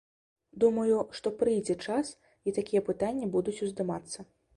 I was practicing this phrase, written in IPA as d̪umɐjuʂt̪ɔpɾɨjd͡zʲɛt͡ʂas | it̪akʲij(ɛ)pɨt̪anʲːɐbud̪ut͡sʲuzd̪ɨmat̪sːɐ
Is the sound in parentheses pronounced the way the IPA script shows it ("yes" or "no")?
yes